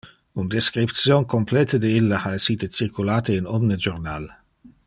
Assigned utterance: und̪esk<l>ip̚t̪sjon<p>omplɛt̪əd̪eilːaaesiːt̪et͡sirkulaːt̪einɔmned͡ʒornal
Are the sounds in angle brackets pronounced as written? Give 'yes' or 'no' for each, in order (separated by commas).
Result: no, no